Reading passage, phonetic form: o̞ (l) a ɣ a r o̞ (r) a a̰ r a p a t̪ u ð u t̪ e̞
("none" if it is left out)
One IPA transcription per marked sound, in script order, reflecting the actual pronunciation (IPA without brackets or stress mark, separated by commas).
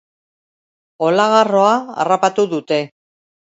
l, none